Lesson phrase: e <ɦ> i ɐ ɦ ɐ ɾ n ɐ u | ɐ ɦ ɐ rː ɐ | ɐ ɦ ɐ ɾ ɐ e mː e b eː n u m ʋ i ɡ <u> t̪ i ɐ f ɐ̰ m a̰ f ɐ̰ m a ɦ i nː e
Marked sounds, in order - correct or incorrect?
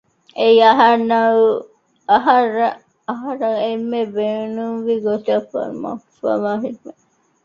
incorrect: none, incorrect: o

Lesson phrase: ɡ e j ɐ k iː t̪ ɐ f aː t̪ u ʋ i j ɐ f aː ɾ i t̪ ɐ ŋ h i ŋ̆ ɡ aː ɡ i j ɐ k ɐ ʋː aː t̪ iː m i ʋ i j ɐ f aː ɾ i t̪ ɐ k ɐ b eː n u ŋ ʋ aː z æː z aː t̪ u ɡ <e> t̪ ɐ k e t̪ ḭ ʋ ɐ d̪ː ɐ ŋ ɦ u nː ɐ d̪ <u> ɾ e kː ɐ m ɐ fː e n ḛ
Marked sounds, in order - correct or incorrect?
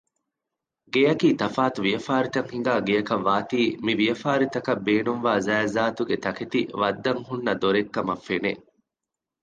correct, incorrect: o

